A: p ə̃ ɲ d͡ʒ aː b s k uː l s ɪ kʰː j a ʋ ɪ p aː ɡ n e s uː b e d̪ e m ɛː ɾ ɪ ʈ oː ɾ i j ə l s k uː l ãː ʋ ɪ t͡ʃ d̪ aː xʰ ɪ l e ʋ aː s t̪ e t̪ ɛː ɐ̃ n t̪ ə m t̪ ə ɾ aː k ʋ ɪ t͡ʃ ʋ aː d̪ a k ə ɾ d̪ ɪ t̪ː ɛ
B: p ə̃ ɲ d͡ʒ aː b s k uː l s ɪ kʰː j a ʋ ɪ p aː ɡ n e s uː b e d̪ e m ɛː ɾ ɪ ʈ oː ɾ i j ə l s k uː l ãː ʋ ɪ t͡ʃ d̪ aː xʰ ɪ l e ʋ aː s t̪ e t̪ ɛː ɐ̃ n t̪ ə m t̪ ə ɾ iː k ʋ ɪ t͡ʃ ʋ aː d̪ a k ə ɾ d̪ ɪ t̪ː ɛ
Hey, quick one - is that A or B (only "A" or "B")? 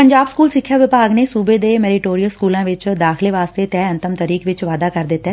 B